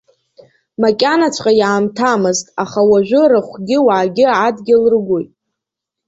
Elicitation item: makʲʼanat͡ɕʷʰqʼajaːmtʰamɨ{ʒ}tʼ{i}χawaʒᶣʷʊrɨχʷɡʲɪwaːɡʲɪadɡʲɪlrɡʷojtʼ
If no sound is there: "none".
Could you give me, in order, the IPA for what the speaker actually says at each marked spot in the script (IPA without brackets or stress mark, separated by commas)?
z, a